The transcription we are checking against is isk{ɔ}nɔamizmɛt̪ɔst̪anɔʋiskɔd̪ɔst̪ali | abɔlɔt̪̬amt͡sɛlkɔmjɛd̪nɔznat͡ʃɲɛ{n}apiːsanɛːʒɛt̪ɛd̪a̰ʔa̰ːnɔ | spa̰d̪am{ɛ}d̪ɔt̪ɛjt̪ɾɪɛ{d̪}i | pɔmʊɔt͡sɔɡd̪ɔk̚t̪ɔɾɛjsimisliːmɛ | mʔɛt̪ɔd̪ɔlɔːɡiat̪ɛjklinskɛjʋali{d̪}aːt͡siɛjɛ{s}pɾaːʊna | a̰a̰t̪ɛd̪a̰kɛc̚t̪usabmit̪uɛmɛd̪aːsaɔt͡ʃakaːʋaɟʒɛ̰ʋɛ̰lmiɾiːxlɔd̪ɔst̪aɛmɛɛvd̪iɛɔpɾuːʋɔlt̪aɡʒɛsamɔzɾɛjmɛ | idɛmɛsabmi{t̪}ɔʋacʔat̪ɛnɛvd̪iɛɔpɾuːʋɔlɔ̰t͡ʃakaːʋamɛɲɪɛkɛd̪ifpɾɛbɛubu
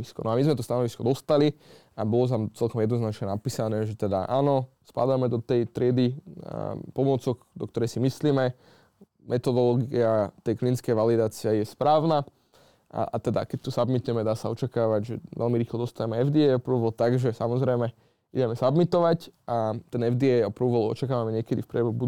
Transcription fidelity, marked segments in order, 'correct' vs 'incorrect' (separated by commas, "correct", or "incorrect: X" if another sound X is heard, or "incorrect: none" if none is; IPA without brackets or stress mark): correct, correct, correct, correct, correct, correct, correct